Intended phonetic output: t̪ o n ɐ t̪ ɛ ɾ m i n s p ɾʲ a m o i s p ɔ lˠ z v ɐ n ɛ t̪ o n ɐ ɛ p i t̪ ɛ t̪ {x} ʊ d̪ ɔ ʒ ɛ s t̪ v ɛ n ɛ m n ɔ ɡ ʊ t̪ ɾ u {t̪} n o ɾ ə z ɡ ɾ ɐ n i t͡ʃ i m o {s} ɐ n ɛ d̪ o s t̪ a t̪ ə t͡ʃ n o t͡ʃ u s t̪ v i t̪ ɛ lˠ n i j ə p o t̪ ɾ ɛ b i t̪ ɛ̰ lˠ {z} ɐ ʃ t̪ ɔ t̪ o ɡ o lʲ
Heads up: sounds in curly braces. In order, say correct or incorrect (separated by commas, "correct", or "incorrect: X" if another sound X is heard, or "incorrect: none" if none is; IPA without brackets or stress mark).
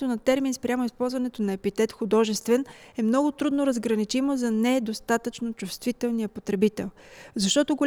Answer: correct, incorrect: d̪, incorrect: z, correct